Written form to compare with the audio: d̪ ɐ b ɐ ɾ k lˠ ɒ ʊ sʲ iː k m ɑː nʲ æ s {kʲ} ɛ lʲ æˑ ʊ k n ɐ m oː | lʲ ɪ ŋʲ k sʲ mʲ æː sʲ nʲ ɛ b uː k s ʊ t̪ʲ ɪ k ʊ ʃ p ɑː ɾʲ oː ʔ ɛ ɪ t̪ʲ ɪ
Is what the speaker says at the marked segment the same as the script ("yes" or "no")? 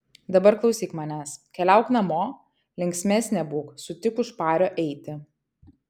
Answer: yes